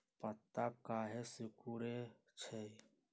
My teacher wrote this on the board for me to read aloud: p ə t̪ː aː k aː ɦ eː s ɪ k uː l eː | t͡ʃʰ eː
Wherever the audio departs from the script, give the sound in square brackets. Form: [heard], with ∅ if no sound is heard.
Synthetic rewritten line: p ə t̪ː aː k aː ɦ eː s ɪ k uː [ɾ] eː | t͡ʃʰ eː